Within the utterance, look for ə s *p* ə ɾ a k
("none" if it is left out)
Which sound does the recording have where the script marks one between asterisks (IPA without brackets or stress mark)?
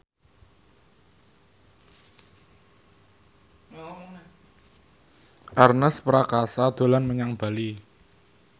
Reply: p